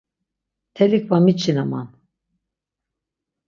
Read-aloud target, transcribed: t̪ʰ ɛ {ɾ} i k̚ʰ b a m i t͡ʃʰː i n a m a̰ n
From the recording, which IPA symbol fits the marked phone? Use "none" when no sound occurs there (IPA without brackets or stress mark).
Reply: l